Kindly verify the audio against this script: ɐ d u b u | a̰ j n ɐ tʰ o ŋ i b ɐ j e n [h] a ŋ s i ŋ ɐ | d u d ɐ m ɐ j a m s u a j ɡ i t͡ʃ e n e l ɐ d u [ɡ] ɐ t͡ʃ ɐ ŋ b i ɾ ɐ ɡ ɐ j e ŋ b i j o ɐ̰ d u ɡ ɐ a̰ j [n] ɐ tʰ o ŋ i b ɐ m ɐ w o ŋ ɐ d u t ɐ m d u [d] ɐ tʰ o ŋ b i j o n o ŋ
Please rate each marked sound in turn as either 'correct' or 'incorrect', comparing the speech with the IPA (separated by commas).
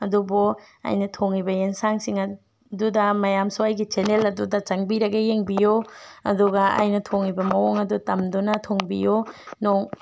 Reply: incorrect, incorrect, correct, incorrect